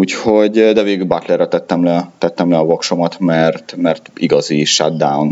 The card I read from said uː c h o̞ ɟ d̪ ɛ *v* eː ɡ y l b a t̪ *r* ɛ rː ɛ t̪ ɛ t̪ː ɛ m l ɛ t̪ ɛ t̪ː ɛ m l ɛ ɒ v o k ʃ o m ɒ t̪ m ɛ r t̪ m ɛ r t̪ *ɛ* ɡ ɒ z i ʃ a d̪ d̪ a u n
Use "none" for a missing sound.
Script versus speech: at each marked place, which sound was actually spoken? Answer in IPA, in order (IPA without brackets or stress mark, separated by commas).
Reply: v, l, i